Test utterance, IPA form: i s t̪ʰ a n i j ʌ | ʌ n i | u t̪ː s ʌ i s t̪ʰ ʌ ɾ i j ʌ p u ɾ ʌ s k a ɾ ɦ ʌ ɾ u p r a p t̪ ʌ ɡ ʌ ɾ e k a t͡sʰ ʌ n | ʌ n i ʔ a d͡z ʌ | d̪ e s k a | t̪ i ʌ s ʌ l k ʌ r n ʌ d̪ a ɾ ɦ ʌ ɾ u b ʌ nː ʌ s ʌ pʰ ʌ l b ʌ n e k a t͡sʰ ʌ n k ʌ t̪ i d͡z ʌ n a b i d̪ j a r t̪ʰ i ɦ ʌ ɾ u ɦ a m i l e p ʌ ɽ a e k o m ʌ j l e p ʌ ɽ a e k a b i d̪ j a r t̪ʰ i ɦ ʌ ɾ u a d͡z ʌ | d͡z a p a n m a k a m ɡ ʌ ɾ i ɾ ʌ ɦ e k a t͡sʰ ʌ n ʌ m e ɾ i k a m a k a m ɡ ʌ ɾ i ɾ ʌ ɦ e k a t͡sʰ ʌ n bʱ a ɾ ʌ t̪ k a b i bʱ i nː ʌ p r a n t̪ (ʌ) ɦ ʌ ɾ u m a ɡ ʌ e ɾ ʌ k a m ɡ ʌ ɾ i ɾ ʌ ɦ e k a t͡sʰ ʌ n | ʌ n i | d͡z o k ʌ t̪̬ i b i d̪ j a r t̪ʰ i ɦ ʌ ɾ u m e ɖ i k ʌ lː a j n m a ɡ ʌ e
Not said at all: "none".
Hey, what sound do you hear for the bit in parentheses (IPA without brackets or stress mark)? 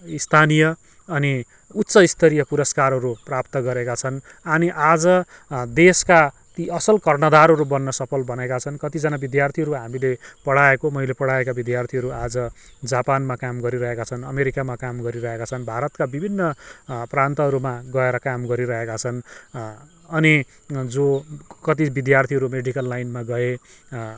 ʌ